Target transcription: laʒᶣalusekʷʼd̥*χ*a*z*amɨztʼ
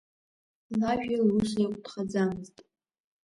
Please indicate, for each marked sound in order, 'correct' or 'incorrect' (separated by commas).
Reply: correct, incorrect